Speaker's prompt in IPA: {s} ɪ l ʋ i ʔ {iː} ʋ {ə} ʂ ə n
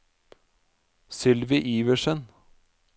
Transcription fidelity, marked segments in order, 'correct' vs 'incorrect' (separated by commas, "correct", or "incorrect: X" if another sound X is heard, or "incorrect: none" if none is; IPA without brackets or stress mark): correct, correct, correct